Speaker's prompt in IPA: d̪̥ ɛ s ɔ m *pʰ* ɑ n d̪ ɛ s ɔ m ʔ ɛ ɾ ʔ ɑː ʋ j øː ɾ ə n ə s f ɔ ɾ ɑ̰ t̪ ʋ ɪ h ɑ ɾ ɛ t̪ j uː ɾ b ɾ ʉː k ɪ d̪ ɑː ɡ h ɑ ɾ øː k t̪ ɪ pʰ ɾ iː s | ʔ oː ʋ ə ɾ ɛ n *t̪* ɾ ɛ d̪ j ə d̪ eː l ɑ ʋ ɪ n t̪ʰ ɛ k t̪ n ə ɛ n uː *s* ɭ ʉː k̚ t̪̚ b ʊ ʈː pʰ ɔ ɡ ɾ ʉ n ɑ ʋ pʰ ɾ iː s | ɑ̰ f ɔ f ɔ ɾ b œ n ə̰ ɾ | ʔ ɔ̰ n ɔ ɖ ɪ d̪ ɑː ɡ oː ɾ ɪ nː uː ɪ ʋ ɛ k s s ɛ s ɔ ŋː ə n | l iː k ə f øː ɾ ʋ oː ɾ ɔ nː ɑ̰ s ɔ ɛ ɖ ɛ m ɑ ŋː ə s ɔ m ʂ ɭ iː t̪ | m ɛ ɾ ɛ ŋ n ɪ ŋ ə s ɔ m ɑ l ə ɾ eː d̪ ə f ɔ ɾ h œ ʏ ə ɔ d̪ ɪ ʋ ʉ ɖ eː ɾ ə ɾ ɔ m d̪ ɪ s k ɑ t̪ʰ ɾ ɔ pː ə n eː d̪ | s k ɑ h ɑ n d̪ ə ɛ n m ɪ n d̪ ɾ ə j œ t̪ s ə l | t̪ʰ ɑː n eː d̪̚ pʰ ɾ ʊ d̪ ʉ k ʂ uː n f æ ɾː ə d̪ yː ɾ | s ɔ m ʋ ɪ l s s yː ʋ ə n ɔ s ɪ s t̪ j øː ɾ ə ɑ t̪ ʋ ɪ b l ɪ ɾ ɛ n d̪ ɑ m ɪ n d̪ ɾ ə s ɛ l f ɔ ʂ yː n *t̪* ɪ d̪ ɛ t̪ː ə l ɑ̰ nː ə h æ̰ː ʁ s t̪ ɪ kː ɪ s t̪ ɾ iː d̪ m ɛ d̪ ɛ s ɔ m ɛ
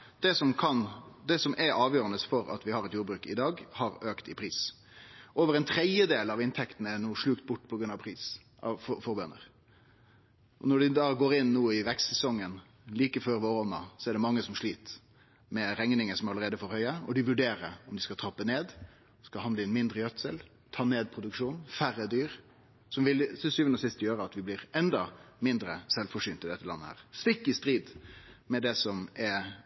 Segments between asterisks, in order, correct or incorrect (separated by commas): incorrect, incorrect, incorrect, correct